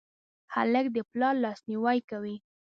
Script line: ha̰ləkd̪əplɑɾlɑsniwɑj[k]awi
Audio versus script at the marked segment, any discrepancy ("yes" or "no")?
no